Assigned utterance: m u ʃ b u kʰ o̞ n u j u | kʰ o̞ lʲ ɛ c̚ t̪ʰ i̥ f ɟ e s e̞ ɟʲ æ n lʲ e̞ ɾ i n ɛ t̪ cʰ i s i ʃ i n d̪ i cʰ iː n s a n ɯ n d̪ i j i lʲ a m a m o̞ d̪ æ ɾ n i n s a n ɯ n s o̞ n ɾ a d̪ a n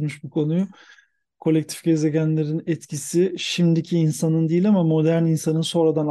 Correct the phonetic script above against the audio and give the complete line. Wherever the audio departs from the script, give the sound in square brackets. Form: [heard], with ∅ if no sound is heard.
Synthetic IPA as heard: m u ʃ b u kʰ o̞ n u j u | kʰ o̞ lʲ ɛ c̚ t̪ʰ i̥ f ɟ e [z] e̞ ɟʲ æ n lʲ e̞ ɾ i n ɛ t̪ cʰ i s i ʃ i [m] d̪ i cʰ iː n s a n ɯ n d̪ i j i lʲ a m a m o̞ d̪ æ ɾ n i n s a n ɯ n s o̞ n ɾ a d̪ a n